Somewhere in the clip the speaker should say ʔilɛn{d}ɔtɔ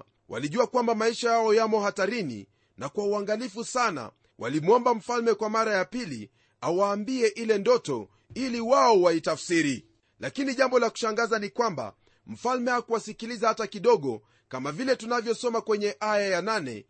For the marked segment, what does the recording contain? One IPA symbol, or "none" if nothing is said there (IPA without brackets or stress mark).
d